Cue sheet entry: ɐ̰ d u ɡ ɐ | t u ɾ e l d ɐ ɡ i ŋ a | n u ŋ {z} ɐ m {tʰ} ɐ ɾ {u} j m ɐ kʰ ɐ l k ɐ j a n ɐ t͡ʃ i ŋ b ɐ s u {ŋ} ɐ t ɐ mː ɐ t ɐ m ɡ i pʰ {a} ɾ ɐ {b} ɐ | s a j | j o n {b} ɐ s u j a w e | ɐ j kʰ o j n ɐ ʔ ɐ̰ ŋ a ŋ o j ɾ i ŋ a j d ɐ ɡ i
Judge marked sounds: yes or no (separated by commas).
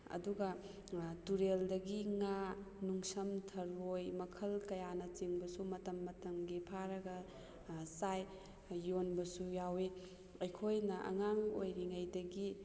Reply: no, yes, no, no, yes, no, yes